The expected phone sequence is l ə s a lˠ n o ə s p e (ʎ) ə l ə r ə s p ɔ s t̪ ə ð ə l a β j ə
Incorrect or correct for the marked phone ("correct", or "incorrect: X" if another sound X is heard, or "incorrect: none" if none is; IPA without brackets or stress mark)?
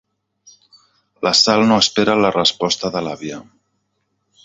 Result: incorrect: ɾ